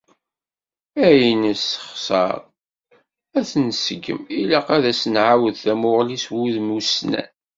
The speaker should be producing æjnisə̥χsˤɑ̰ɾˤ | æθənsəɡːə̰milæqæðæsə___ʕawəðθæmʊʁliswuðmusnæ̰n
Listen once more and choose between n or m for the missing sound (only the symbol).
n